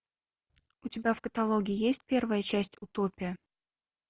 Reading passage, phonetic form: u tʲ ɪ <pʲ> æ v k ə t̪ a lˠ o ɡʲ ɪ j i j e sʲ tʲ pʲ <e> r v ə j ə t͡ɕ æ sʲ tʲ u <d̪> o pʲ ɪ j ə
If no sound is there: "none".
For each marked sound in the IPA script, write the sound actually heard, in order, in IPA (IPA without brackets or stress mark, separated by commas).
bʲ, e, t̪